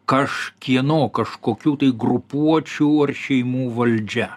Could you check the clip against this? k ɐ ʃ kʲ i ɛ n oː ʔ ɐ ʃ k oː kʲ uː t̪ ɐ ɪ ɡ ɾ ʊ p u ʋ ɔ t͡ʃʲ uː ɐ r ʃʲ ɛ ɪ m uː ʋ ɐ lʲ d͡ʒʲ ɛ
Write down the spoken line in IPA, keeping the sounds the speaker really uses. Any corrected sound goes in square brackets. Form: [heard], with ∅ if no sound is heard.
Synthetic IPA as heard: k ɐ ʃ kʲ i ɛ n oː [k] ɐ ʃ k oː kʲ uː t̪ ɐ ɪ ɡ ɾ ʊ p u [∅] ɔ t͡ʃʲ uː ɐ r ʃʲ ɛ ɪ m uː ʋ ɐ lʲ d͡ʒʲ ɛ

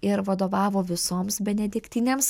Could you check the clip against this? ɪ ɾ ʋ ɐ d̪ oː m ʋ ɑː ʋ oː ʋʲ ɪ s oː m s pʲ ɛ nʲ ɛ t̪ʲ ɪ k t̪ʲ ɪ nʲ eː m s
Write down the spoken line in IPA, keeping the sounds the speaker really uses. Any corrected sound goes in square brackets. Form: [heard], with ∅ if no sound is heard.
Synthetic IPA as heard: ɪ ɾ ʋ ɐ d̪ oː [∅] ʋ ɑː ʋ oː ʋʲ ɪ s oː m s [bʲ] ɛ nʲ ɛ [d̪ʲ] ɪ k t̪ʲ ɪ nʲ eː m s

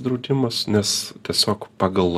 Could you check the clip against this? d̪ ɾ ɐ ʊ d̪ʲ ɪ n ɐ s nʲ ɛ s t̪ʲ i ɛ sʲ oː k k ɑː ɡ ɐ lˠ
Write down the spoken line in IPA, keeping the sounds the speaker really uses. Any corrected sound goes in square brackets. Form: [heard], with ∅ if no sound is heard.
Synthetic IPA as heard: d̪ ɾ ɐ ʊ d̪ʲ ɪ [m] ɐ s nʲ ɛ s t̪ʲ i ɛ sʲ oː k [p] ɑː ɡ ɐ lˠ

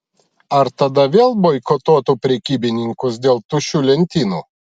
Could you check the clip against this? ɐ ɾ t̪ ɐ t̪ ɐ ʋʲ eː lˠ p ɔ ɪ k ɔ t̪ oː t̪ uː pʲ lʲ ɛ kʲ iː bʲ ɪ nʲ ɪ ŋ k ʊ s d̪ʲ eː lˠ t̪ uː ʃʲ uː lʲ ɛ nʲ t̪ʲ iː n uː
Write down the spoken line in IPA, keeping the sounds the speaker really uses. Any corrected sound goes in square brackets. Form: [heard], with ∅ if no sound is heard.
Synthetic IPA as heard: ɐ ɾ t̪ ɐ [d̪] ɐ ʋʲ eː lˠ [b] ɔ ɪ k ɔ t̪ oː t̪ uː pʲ [ɾʲ] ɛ kʲ iː bʲ ɪ nʲ ɪ ŋ k ʊ s d̪ʲ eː lˠ t̪ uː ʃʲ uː lʲ ɛ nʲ t̪ʲ iː n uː

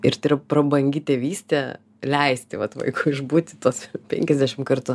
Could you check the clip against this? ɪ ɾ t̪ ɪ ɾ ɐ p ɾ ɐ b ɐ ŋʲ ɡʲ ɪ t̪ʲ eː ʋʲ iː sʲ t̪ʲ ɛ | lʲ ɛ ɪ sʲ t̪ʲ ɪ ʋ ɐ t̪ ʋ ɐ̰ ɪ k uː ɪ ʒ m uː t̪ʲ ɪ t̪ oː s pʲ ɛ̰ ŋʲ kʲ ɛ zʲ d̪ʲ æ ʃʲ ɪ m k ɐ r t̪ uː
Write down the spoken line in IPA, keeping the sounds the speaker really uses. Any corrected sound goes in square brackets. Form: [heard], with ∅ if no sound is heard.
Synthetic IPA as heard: ɪ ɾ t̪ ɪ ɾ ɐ p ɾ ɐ b ɐ ŋʲ ɡʲ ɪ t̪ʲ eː ʋʲ iː sʲ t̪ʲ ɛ | lʲ ɛ ɪ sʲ t̪ʲ ɪ ʋ ɐ t̪ ʋ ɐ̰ ɪ k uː ɪ ʒ [b] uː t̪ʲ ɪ t̪ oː s pʲ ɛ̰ ŋʲ kʲ ɛ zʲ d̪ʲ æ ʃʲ ɪ m k ɐ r t̪ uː

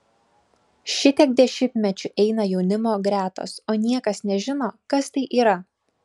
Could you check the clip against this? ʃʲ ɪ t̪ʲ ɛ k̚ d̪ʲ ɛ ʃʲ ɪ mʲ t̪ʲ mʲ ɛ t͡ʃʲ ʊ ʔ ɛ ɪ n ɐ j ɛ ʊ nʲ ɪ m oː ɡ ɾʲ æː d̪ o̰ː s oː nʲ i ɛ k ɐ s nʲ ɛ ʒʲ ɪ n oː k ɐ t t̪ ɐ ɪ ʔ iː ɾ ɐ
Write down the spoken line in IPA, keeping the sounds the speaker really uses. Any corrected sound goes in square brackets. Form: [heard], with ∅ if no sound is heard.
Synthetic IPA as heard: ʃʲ ɪ t̪ʲ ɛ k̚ d̪ʲ ɛ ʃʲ ɪ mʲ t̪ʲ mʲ ɛ t͡ʃʲ ʊ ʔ ɛ ɪ n ɐ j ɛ ʊ nʲ ɪ m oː ɡ ɾʲ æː [t̪] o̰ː s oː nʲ i ɛ k ɐ s nʲ ɛ ʒʲ ɪ n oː k ɐ [s] t̪ ɐ ɪ ʔ iː ɾ ɐ

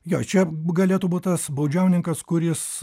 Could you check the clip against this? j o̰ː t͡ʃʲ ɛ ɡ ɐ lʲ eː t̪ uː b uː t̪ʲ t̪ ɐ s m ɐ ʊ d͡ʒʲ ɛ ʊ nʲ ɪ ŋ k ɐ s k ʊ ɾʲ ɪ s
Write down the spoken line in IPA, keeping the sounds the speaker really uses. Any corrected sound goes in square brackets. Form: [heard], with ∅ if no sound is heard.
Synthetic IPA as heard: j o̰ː t͡ʃʲ ɛ ɡ ɐ lʲ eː t̪ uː b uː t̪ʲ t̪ ɐ s [b] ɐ ʊ d͡ʒʲ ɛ ʊ nʲ ɪ ŋ k ɐ s k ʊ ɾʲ ɪ s

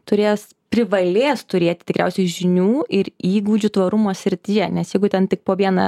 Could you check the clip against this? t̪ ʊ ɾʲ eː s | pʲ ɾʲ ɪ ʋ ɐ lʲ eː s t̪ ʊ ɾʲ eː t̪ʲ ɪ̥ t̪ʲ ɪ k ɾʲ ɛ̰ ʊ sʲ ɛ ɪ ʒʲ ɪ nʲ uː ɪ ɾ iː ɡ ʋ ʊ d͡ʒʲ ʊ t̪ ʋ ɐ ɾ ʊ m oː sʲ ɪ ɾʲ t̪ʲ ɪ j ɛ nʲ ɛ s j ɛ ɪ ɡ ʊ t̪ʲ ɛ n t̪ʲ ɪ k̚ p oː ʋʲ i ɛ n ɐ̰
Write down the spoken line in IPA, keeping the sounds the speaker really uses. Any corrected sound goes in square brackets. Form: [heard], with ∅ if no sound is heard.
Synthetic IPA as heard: t̪ ʊ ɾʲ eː s | pʲ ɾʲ ɪ ʋ ɐ lʲ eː s t̪ ʊ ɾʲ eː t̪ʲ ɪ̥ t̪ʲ ɪ k ɾʲ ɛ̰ ʊ sʲ ɛ ɪ ʒʲ ɪ nʲ uː ɪ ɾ iː ɡ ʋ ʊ d͡ʒʲ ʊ t̪ ʋ ɐ ɾ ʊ m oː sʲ ɪ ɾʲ t̪ʲ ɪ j ɛ nʲ ɛ s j ɛ ɪ ɡ ʊ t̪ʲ ɛ n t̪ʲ ɪ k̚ p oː ʋʲ i ɛ n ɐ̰

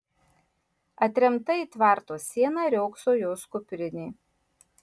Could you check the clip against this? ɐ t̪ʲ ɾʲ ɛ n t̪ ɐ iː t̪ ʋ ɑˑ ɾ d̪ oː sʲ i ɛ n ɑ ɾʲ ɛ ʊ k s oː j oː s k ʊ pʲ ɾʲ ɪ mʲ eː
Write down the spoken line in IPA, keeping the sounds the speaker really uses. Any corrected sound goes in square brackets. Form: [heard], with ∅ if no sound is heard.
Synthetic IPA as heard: ɐ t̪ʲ ɾʲ ɛ [m] t̪ ɐ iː t̪ ʋ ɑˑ ɾ [t̪] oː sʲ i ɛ n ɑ ɾʲ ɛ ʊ k s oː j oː s k ʊ pʲ ɾʲ ɪ [nʲ] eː

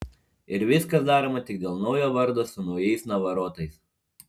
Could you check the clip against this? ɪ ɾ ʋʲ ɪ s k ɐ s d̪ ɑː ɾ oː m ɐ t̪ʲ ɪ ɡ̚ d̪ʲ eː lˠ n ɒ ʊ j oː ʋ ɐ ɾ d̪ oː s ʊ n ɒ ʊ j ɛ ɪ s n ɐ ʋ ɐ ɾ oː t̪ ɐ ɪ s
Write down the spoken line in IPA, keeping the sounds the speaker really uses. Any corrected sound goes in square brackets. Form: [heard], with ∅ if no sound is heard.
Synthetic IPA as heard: ɪ ɾ ʋʲ ɪ s k ɐ s d̪ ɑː ɾ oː m ɐ t̪ʲ ɪ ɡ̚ d̪ʲ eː lˠ n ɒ ʊ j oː ʋ ɐ ɾ d̪ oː s ʊ n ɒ ʊ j ɛ ɪ s n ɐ ʋ ɐ ɾ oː t̪ ɐ ɪ s

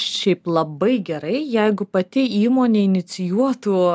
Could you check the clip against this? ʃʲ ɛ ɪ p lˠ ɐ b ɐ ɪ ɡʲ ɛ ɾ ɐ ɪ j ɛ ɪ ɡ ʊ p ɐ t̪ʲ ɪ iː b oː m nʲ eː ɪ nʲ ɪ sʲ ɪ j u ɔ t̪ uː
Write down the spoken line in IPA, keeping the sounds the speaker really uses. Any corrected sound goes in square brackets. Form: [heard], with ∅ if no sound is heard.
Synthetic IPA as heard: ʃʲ ɛ ɪ p lˠ ɐ b ɐ ɪ ɡʲ ɛ ɾ ɐ ɪ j ɛ ɪ ɡ ʊ p ɐ t̪ʲ ɪ iː [m] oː [∅] nʲ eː ɪ nʲ ɪ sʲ ɪ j u ɔ t̪ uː

